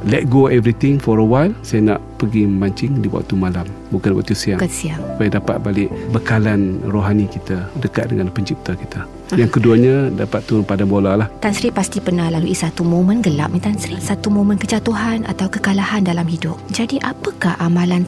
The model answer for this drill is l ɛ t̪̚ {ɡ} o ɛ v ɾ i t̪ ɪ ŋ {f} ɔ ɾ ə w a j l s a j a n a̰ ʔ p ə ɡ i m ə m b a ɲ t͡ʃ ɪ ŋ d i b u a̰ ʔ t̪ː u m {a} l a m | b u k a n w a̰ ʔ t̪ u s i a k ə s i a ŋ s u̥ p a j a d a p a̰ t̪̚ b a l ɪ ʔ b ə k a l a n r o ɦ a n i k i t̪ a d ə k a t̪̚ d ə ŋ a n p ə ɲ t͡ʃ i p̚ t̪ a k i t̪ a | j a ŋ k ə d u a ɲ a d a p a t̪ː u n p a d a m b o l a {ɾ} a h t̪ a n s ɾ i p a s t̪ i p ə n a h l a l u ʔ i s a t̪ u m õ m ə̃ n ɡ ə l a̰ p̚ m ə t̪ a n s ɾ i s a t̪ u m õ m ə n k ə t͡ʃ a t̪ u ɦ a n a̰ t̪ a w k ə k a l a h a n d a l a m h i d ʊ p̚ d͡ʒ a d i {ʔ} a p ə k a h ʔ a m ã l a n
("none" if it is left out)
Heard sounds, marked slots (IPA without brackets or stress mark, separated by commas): ɡ, f, a, l, ʔ